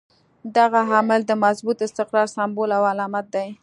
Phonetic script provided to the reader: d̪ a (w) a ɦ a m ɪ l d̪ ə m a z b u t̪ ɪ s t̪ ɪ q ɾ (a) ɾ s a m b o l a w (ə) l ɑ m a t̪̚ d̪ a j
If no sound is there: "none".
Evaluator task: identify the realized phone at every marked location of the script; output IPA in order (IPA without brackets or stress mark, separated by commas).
ɣ, ɑ, a